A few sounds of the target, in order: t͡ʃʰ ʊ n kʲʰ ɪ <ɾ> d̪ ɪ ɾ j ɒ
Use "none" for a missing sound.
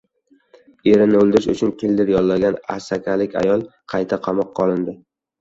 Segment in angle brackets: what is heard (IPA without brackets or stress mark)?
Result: l